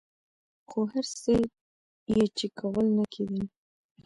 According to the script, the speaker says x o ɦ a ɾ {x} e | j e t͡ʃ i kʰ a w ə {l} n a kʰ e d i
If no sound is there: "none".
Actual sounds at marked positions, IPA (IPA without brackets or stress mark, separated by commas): s, l